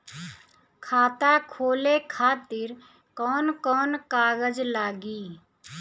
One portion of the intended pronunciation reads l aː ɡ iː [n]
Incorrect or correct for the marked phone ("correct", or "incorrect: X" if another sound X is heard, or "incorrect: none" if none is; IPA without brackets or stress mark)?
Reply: incorrect: none